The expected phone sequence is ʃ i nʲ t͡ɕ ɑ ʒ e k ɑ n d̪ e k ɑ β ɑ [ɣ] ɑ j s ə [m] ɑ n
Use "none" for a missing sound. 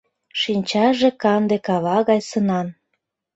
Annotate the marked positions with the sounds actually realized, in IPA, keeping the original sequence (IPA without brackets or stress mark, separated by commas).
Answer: ɣ, n